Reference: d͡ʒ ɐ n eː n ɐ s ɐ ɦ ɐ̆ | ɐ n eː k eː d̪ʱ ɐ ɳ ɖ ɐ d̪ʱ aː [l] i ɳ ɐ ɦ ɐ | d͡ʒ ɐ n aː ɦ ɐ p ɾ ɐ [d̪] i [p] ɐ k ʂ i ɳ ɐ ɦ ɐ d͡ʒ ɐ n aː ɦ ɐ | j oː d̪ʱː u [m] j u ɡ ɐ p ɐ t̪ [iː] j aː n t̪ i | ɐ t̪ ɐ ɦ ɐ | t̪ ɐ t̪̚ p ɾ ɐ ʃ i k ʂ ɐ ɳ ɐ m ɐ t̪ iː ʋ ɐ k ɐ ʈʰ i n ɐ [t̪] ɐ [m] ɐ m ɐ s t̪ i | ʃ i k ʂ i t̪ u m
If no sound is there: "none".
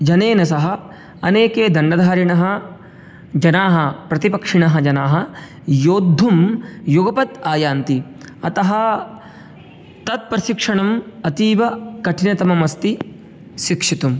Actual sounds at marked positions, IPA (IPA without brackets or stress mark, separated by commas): ɾ, t̪, p, m, aː, t̪, m